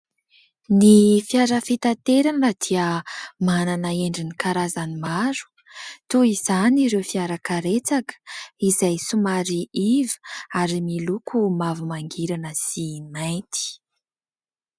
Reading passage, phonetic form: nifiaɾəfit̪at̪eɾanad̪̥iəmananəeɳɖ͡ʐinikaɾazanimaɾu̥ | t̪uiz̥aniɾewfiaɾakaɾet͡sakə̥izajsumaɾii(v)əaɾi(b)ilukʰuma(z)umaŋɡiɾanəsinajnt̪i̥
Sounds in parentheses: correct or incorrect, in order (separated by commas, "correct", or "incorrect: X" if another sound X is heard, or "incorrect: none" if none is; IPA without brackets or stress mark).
correct, incorrect: m, incorrect: v